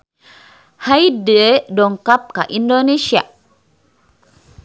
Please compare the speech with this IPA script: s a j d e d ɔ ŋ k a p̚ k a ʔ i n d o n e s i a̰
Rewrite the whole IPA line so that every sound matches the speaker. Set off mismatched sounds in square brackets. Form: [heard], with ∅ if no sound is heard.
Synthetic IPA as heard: [h] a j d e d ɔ ŋ k a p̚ k a ʔ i n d o n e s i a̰